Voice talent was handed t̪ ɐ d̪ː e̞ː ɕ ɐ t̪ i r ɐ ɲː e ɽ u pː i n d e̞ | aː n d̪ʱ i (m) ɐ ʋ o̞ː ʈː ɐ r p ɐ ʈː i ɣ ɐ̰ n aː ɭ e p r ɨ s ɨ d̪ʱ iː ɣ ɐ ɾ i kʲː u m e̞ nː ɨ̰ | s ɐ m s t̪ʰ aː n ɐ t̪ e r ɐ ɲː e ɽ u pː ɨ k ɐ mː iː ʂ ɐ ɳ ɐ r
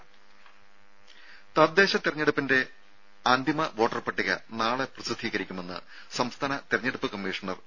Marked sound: correct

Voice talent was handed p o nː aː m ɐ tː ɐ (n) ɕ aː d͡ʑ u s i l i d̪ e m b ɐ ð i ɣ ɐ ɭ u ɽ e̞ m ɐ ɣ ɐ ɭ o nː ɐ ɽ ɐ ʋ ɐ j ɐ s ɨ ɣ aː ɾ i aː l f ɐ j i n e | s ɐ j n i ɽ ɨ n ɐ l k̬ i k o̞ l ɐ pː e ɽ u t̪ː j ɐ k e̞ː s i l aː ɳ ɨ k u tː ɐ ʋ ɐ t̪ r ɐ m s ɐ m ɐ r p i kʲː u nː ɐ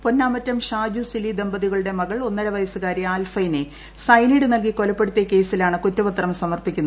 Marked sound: incorrect: m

